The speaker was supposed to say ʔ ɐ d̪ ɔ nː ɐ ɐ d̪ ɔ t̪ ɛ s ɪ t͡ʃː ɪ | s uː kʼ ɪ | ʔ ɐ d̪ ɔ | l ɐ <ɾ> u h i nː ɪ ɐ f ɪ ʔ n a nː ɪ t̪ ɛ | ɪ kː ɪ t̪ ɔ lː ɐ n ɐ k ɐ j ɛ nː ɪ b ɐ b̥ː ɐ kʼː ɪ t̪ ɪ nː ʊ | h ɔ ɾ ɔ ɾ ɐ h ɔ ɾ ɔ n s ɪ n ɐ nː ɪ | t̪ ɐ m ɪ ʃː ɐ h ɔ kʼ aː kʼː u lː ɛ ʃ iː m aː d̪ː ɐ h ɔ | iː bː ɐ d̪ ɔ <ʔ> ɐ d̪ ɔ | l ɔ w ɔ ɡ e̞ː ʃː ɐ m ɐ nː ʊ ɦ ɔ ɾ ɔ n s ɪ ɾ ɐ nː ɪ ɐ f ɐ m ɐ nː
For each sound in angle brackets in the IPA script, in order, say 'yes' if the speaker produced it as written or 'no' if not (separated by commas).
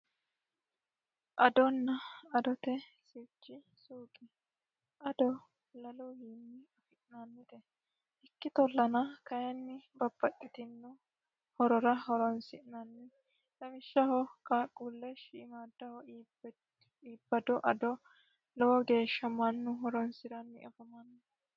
no, yes